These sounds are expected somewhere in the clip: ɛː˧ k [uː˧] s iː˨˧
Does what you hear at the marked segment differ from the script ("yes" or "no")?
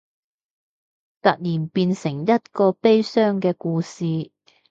no